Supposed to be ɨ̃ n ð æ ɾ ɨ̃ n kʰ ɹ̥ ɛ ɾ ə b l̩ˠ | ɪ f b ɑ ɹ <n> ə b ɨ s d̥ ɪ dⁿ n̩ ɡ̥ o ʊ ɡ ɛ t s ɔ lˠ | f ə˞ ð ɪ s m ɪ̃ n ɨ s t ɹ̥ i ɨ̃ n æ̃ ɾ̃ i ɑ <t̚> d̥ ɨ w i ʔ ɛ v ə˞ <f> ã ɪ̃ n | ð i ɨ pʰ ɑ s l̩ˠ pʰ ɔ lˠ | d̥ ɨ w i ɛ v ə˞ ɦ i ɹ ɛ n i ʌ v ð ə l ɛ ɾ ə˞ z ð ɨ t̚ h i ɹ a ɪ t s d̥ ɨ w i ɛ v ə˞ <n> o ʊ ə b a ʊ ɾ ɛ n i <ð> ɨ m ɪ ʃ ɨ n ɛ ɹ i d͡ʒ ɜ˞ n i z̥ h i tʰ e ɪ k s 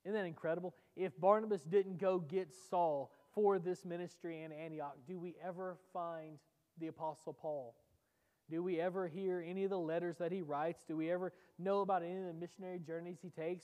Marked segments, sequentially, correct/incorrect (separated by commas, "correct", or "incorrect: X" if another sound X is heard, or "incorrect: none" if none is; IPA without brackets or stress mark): correct, incorrect: k̚, correct, correct, correct